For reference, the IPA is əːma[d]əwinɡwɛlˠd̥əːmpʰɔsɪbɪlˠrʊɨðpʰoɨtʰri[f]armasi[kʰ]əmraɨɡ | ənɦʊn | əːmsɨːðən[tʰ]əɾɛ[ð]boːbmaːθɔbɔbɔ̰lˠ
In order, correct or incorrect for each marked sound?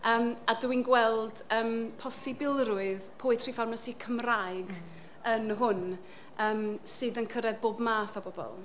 correct, correct, correct, incorrect: kʰ, correct

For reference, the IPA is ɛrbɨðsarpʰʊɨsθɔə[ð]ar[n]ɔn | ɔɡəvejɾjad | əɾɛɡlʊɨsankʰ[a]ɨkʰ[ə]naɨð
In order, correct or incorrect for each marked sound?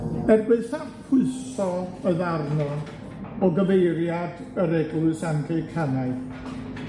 correct, correct, incorrect: e, incorrect: a

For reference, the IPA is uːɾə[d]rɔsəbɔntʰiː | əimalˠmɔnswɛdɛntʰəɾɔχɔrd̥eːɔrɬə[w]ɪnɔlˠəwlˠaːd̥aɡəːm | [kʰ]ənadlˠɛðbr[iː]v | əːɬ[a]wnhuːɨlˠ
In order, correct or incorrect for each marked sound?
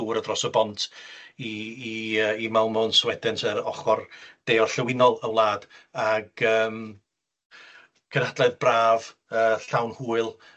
correct, correct, correct, incorrect: aː, correct

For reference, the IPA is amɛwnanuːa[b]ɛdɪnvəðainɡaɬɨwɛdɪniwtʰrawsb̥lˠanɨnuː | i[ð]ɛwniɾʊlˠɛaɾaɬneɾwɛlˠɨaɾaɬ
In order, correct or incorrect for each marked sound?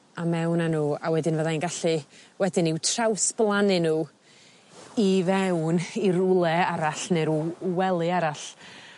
incorrect: w, incorrect: v

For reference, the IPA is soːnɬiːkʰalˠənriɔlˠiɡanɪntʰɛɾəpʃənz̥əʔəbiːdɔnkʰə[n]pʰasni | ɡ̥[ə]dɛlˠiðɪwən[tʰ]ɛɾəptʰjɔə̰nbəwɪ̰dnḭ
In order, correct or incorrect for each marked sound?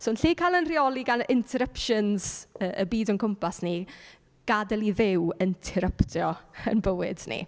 incorrect: m, incorrect: a, correct

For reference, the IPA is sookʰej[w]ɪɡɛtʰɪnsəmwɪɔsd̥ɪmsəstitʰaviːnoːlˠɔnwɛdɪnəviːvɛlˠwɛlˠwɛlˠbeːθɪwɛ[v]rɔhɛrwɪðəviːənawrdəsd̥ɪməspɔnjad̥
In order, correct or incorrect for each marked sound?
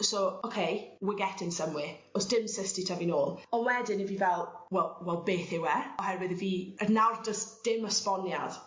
correct, incorrect: none

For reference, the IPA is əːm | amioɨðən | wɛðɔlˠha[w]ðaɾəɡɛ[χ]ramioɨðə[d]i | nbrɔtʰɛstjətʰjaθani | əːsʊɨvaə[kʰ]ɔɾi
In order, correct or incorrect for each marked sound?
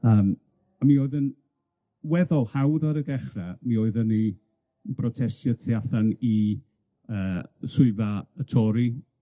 correct, correct, incorrect: n, incorrect: tʰ

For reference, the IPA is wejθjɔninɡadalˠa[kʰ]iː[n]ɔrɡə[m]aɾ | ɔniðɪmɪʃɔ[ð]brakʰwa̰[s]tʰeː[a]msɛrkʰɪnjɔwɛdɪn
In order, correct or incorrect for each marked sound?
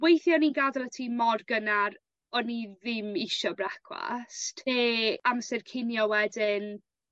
incorrect: tʰ, incorrect: m, incorrect: n, incorrect: none, correct, correct

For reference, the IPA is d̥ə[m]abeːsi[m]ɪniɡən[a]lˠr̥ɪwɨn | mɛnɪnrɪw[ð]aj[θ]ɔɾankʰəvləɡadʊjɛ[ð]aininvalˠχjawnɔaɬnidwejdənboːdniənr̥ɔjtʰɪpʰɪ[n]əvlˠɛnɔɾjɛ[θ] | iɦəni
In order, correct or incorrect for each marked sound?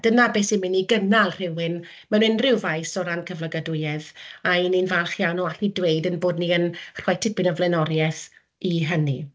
incorrect: n, correct, correct, incorrect: v, incorrect: s, correct, correct, correct

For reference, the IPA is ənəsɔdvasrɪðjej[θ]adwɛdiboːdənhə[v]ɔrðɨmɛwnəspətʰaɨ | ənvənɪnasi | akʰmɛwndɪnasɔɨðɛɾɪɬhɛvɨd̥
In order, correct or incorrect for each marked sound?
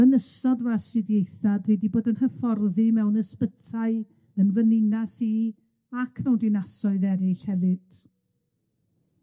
correct, incorrect: f

